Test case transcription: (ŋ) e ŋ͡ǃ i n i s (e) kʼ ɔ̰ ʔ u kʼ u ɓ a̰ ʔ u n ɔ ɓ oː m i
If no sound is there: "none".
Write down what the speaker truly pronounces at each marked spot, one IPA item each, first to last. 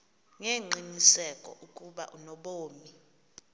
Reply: ŋ, ɛ

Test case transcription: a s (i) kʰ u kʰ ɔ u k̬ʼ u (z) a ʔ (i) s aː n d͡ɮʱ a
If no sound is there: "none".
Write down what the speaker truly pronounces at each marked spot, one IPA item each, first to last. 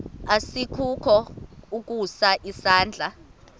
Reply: i, s, i

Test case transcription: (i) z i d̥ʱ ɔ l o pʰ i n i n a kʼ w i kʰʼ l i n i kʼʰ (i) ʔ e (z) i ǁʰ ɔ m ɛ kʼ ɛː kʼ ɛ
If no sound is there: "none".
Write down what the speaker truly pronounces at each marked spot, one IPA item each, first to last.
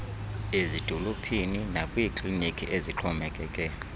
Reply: e, i, z

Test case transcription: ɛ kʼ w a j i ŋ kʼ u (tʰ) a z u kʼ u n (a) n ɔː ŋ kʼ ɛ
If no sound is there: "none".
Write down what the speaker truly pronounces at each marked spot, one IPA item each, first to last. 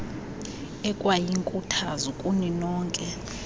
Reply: tʰ, i

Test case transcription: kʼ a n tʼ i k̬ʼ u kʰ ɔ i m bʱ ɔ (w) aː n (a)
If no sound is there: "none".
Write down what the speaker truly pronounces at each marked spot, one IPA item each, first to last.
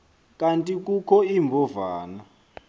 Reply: v, a

